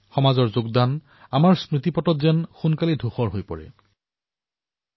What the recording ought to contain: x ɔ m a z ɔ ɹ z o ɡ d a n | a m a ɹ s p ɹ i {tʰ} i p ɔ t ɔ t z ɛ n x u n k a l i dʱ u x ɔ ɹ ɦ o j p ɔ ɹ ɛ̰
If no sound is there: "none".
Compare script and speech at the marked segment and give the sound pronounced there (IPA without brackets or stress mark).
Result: t